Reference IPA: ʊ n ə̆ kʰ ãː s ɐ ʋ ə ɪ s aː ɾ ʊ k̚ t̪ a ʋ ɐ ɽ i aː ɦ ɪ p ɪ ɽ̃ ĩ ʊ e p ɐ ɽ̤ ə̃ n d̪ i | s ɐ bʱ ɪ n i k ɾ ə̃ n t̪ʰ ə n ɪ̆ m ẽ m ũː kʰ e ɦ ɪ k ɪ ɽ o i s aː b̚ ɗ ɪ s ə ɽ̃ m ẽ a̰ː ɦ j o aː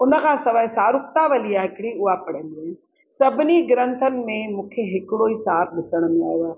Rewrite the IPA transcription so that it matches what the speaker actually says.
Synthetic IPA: ʊ n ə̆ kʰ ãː s ɐ ʋ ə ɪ s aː ɾ ʊ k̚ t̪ a ʋ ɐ l i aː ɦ ɪ k ɪ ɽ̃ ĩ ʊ a p ɐ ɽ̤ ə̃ n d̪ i | s ɐ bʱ ɪ n i ɡ ɾ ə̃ n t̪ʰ ə n ɪ̆ m ẽ m ũː kʰ e ɦ ɪ k ɪ ɽ o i s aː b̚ ɗ ɪ s ə ɽ̃ m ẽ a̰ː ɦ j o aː